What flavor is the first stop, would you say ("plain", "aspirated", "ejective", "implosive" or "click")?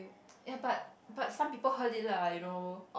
plain